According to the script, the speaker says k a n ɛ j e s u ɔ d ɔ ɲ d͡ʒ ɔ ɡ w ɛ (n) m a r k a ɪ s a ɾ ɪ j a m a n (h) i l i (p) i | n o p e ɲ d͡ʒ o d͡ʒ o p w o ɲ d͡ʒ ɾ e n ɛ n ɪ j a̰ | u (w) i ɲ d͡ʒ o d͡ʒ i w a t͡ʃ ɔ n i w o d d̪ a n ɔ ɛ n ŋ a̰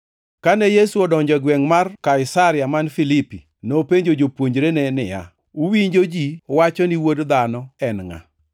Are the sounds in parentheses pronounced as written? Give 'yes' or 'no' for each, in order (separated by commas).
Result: no, no, yes, yes